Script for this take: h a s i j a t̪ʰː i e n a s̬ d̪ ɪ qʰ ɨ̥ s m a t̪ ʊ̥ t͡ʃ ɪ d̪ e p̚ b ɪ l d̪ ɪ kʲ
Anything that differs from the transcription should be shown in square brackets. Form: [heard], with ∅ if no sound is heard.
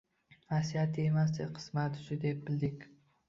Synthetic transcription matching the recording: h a s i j a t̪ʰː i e [m] a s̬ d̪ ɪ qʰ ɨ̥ s m a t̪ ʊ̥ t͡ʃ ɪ d̪ e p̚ b ɪ l d̪ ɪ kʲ